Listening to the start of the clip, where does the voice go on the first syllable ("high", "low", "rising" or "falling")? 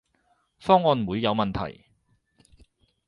high